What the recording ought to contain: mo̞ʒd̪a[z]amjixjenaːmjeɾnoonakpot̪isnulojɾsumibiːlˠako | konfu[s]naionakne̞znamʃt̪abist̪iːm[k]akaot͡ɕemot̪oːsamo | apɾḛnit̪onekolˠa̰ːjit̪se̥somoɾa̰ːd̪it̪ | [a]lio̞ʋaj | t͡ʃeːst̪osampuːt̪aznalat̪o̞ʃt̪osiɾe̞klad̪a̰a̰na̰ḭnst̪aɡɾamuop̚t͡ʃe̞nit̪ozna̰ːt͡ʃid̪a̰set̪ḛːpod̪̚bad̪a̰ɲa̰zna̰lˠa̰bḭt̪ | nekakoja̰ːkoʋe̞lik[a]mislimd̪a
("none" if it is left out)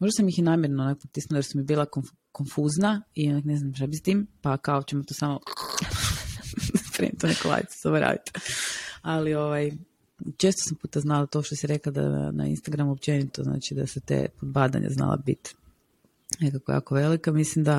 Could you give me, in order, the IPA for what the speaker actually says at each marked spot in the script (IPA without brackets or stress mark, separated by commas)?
s, z, p, a, a